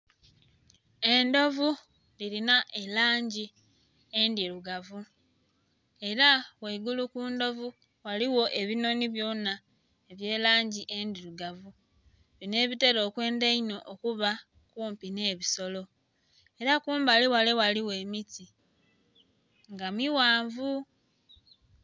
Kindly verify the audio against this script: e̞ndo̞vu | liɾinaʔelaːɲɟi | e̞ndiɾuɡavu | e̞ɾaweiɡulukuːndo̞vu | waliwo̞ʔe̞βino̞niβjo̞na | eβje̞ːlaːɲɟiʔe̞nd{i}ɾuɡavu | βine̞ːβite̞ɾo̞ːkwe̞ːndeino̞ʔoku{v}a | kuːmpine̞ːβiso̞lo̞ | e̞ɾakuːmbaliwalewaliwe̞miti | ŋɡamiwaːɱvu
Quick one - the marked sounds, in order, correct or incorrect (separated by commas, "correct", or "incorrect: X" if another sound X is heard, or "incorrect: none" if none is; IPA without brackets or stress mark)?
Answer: correct, incorrect: β